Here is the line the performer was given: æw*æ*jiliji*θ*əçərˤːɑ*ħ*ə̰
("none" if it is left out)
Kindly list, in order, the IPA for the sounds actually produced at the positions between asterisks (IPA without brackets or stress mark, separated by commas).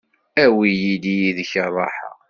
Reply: i, ð, ħ